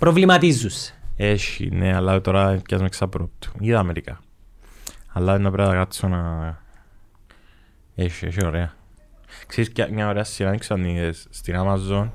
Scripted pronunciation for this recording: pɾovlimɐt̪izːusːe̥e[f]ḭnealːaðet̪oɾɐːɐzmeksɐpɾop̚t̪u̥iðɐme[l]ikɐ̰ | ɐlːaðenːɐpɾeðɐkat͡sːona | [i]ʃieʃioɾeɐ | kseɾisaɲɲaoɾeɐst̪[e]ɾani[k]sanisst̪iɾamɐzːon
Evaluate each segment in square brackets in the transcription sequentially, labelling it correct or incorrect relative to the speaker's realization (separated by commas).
incorrect, incorrect, incorrect, incorrect, correct